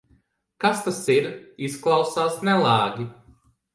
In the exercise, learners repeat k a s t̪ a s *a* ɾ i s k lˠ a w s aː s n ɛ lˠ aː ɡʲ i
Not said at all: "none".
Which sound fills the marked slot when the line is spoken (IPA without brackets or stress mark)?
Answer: i